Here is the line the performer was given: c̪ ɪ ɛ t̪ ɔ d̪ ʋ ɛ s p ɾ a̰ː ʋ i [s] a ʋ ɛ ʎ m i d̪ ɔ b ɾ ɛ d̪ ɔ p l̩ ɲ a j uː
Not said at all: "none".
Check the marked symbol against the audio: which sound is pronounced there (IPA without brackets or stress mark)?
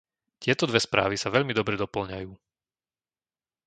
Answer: s